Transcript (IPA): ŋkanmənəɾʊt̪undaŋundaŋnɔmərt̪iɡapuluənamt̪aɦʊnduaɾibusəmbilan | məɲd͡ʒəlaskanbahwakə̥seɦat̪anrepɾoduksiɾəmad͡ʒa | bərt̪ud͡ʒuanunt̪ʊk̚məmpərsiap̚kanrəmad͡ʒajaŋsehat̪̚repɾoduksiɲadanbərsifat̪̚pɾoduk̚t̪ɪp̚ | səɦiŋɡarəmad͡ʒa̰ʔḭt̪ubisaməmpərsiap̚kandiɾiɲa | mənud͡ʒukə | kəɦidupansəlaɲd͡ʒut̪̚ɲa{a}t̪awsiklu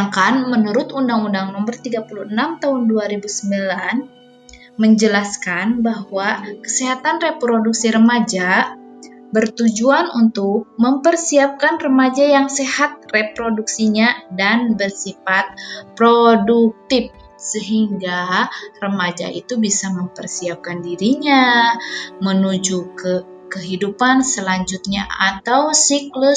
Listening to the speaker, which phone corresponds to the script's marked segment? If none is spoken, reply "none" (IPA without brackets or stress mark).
a